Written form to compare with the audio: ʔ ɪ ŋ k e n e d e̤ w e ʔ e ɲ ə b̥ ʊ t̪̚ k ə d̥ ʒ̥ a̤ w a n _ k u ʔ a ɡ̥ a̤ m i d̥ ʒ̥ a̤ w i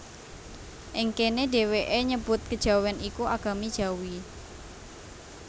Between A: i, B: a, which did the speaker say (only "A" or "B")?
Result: A